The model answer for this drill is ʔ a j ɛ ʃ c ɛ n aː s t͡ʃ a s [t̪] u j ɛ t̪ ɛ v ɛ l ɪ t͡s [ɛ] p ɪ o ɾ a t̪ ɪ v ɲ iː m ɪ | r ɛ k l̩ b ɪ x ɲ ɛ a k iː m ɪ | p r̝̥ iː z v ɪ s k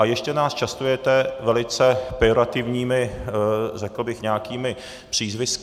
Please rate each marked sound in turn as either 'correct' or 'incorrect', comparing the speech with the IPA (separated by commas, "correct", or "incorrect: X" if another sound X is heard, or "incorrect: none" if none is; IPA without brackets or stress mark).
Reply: correct, correct